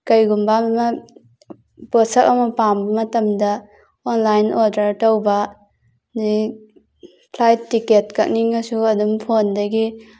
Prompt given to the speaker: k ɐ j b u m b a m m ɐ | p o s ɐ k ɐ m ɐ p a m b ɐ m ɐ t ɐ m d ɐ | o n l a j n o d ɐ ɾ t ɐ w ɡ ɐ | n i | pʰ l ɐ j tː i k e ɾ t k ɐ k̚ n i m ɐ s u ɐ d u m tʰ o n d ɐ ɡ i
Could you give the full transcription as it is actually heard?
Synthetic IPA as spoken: k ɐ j ɡ u m b a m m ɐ | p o s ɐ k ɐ m ɐ p a m b ɐ m ɐ t ɐ m d ɐ | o n l a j n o d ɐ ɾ t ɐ w b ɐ | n i | pʰ l a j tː i k e t k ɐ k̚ n i ŋ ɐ s u ɐ d u m pʰ o n d ɐ ɡ i